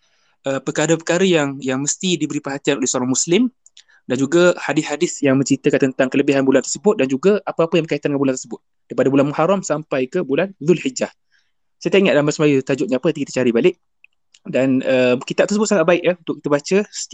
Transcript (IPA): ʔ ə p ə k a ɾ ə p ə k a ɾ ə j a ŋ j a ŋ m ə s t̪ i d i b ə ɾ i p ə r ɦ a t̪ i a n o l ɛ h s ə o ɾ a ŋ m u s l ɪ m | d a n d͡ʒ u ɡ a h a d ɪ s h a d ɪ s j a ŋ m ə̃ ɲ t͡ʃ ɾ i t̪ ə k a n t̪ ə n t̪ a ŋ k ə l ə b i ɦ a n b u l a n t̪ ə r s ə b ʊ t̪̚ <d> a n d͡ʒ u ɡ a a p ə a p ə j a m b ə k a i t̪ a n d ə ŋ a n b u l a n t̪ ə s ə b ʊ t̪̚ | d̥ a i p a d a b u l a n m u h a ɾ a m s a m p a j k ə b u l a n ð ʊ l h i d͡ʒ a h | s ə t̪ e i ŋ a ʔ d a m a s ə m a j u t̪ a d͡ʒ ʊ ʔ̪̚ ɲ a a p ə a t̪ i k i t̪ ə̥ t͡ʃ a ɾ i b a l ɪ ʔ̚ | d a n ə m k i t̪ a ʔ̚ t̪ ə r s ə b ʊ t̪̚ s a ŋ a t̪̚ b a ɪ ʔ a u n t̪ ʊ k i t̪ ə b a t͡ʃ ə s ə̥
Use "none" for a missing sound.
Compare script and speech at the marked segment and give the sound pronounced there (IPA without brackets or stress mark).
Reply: d